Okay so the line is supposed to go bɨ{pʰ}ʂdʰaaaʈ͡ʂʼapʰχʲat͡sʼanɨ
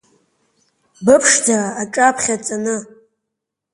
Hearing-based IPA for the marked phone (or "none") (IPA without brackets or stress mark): pʰ